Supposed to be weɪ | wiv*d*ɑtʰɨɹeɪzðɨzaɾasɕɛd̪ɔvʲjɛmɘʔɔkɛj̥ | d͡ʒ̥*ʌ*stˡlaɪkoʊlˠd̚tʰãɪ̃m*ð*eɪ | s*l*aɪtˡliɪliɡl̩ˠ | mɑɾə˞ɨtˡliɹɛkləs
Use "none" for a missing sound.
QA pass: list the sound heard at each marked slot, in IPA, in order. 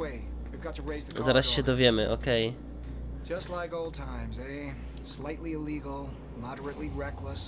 ɡ, ʌ, z, l

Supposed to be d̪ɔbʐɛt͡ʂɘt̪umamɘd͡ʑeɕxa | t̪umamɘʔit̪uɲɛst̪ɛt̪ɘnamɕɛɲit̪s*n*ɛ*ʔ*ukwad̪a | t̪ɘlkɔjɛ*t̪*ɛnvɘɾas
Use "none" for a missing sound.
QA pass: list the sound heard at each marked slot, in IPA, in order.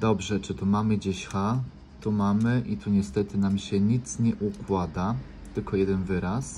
ɲ, ʔ, d̪

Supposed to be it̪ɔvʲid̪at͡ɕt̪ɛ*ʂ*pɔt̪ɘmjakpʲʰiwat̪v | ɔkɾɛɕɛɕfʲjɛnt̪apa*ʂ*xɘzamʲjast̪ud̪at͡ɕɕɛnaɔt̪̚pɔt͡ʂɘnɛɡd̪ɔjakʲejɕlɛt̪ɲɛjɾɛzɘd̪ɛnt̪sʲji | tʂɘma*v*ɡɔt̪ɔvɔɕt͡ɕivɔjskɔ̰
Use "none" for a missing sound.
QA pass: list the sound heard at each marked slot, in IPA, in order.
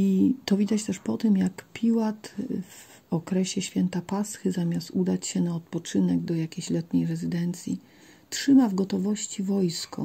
ʂ, s, v

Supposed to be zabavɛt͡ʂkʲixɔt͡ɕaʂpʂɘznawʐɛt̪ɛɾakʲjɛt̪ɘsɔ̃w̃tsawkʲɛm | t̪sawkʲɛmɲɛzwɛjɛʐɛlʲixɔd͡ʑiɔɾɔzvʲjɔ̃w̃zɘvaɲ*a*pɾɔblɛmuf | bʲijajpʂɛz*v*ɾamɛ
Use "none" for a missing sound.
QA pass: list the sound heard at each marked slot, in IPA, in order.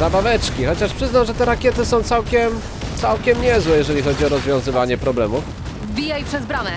ɛ, b

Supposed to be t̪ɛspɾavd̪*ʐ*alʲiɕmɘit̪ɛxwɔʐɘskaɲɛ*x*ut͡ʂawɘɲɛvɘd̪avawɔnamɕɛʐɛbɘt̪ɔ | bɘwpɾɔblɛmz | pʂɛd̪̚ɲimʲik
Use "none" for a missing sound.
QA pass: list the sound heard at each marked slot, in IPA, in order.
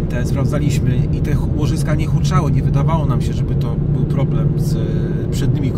z, x

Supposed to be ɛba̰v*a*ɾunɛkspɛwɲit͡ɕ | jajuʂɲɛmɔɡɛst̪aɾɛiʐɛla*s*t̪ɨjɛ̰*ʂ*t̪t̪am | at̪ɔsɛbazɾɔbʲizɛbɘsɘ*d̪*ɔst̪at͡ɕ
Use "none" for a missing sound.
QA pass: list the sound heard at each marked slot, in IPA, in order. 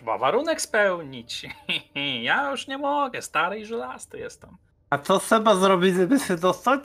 a, s, s, d̪

